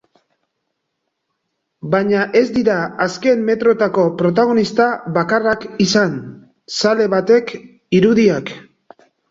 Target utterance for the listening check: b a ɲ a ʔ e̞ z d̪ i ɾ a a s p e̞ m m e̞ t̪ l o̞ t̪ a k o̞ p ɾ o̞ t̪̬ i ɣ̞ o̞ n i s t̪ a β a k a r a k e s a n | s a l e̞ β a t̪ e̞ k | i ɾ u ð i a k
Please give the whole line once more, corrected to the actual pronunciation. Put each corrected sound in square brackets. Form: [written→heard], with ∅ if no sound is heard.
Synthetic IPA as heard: b a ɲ a ʔ e̞ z d̪ i ɾ a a s [p→k] e̞ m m e̞ t̪ [l→ɾ] o̞ t̪ a k o̞ p ɾ o̞ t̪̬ [i→a] ɣ̞ o̞ n i s t̪ a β a k a r a k [e→i] s a n | s a l e̞ β a t̪ e̞ k | i ɾ u ð i a k